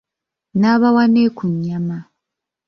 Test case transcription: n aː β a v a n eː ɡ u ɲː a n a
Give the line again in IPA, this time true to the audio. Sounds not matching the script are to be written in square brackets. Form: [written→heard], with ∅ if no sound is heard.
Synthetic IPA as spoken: n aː β a [v→w] a n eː [ɡ→k] u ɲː a [n→m] a